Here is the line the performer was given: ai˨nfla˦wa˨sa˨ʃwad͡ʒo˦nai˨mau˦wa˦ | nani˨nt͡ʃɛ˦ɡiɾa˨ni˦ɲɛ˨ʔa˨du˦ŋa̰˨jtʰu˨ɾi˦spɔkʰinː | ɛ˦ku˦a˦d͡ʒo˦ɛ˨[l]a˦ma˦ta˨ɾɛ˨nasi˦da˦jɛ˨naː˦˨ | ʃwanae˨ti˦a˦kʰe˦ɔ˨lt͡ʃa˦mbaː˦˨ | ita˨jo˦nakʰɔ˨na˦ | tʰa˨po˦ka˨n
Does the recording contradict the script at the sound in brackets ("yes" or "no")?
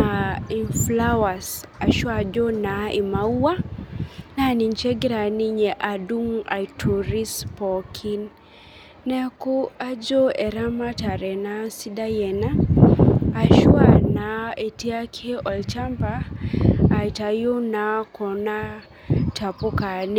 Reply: yes